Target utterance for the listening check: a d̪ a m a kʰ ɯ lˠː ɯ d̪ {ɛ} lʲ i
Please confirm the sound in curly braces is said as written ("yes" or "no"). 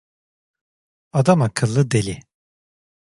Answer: no